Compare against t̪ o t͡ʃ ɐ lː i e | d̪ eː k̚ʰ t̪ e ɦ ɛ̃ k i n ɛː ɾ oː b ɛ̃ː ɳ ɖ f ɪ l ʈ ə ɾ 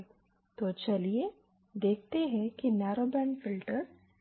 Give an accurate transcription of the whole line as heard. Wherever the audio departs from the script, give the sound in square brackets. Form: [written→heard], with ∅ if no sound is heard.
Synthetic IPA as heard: t̪ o t͡ʃ ɐ [lː→l] i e | d̪ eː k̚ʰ t̪ e ɦ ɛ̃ k i n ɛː ɾ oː b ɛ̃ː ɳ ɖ f ɪ l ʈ ə ɾ